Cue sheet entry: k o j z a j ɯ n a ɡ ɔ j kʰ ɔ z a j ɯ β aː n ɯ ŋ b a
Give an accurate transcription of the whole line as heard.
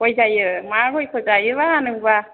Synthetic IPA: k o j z a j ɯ m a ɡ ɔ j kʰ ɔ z a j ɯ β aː n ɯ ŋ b a